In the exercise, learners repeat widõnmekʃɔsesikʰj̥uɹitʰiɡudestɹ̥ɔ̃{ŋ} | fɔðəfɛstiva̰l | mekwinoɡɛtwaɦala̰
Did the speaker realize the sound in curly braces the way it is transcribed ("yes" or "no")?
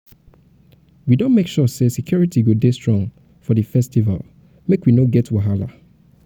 yes